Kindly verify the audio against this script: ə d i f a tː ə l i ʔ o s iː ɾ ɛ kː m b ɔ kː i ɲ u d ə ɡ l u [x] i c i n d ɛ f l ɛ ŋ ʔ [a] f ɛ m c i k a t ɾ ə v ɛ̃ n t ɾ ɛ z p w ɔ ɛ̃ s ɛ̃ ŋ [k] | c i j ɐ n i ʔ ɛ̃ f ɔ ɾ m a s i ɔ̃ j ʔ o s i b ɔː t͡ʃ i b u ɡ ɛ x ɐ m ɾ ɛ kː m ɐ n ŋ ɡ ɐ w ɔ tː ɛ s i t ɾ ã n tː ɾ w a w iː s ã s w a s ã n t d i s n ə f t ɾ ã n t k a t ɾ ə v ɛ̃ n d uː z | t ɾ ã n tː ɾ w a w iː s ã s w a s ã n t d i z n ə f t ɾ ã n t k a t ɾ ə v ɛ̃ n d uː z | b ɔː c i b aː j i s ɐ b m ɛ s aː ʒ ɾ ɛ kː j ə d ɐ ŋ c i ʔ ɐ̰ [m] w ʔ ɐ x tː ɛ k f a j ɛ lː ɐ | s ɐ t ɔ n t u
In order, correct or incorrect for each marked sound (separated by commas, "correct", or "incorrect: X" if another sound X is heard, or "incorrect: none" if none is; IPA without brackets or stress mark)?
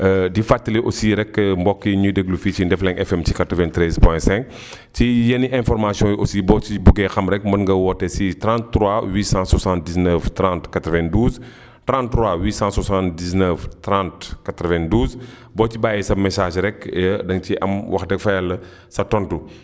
incorrect: f, incorrect: ɛ, correct, correct